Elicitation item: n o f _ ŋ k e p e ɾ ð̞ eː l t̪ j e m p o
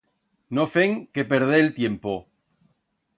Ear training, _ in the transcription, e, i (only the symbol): e